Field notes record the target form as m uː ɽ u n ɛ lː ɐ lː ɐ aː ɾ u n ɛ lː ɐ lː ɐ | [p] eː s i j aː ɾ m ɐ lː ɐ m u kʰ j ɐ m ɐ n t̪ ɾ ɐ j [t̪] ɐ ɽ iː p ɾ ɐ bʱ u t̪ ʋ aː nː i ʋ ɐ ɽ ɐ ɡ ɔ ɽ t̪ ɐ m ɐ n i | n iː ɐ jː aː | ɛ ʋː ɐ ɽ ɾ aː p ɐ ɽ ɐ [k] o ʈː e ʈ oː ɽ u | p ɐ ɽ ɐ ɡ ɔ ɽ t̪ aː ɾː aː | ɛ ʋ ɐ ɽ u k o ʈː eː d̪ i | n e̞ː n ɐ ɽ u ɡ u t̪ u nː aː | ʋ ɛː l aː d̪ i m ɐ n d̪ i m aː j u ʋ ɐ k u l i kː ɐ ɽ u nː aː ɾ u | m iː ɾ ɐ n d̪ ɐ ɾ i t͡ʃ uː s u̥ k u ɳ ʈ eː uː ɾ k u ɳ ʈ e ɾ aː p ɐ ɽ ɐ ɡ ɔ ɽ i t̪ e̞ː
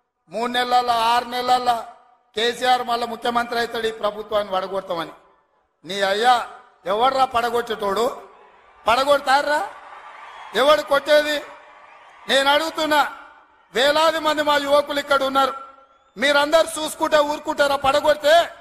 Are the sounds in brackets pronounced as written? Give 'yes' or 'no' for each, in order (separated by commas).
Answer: no, yes, no